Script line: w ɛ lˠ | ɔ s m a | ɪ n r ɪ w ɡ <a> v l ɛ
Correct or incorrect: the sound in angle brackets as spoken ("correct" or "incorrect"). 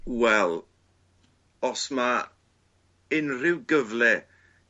incorrect